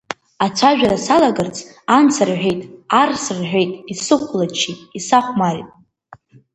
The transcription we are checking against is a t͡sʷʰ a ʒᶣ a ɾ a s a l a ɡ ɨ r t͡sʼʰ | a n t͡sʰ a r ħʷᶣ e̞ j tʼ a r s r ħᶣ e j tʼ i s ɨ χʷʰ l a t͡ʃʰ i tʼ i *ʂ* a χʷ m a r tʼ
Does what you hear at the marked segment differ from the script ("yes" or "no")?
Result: yes